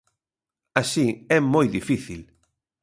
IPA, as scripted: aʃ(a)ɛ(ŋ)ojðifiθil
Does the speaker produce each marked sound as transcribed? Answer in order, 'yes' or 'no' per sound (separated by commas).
no, no